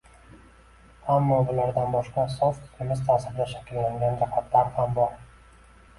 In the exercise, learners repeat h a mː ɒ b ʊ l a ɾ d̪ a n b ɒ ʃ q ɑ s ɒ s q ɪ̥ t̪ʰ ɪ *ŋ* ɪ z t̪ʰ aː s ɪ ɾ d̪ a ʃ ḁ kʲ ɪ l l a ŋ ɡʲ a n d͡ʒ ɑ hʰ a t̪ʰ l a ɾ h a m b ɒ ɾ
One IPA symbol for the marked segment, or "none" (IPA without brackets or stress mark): m